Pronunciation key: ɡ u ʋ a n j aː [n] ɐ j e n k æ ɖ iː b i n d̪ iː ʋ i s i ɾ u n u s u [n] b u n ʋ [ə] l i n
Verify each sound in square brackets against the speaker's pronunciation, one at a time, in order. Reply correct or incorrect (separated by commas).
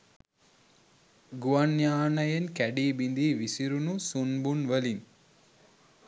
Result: correct, correct, correct